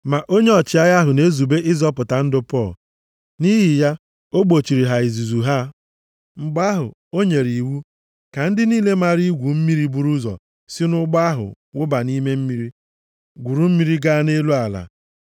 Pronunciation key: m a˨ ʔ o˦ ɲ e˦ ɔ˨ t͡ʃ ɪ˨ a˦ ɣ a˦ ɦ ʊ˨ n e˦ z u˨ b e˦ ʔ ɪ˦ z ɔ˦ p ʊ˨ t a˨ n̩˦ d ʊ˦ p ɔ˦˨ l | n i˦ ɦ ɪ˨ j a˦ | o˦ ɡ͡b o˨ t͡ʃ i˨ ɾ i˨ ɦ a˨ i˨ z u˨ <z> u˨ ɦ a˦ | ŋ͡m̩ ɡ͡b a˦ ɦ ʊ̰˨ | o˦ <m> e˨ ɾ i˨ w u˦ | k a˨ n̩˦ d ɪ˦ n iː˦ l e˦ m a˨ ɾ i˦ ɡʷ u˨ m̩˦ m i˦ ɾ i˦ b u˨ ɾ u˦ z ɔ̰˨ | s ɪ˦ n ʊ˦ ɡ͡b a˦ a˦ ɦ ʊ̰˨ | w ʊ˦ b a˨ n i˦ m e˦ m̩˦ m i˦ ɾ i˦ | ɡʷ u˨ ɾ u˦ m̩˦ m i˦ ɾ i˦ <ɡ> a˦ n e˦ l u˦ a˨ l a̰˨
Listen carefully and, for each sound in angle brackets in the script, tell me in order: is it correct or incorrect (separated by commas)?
correct, incorrect, correct